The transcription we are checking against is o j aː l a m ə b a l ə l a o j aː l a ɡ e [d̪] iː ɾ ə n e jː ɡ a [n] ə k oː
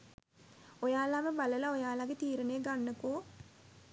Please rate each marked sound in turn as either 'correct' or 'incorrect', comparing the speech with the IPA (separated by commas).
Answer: incorrect, incorrect